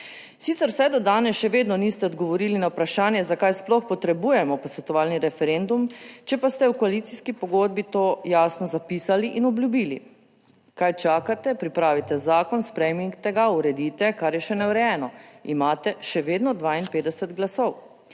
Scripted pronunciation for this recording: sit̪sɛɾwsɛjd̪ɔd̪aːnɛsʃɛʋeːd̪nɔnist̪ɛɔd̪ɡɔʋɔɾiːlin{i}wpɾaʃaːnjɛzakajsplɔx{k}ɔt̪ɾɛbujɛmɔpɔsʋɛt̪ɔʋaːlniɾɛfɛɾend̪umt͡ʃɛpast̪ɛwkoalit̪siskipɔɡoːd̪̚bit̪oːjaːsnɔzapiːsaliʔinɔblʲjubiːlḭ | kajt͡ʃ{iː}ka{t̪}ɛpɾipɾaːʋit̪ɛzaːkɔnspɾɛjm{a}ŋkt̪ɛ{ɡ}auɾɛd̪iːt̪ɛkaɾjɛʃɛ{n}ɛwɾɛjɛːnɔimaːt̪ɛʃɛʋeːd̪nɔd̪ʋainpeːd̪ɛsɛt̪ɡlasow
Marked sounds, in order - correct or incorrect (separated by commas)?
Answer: incorrect, incorrect, incorrect, correct, incorrect, correct, correct